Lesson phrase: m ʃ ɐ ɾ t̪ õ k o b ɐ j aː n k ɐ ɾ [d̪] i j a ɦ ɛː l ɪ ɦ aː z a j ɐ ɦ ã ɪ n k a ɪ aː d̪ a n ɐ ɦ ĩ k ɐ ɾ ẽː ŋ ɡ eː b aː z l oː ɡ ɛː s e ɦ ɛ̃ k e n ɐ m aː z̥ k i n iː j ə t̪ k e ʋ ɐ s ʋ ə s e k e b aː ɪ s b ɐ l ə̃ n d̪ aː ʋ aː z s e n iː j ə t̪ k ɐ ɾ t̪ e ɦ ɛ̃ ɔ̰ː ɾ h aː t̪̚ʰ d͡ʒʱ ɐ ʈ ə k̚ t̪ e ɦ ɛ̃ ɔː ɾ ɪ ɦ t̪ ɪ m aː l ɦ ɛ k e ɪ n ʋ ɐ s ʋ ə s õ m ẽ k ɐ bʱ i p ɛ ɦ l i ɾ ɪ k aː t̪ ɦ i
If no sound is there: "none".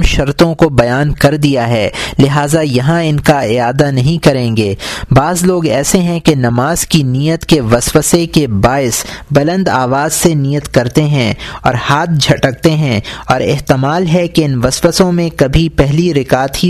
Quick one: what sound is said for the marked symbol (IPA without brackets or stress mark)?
d̪